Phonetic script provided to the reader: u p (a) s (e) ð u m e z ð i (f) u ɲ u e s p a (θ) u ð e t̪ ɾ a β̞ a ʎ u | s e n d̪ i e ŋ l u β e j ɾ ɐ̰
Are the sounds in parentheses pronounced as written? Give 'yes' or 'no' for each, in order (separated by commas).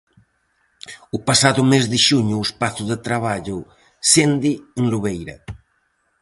yes, no, no, yes